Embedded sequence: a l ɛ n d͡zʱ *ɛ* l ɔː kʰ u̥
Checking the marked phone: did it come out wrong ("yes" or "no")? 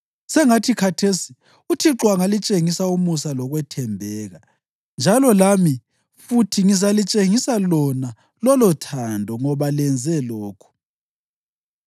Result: no